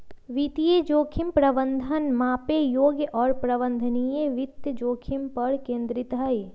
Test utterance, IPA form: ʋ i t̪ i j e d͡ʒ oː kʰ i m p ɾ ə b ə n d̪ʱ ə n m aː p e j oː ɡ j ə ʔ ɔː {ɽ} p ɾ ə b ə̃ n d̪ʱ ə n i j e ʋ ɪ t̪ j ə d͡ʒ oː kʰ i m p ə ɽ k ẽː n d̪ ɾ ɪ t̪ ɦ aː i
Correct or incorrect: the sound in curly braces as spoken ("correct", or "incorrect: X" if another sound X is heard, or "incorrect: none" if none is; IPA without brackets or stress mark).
incorrect: ɾ